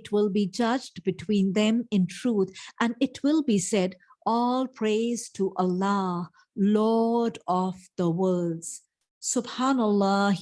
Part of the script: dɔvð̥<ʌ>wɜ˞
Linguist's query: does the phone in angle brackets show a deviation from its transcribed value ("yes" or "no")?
yes